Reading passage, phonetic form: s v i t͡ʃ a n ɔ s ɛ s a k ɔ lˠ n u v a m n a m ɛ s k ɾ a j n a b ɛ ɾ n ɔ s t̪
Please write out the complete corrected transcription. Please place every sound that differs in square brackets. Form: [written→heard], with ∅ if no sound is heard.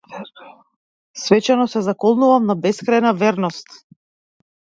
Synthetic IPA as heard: s v [i→ɛ] t͡ʃ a n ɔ s ɛ [s→z] a k ɔ lˠ n u v a m n a [m→b] ɛ s k ɾ a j n a [b→v] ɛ ɾ n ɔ s t̪